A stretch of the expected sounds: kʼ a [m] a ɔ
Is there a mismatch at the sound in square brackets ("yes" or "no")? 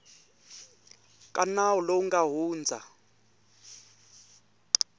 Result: yes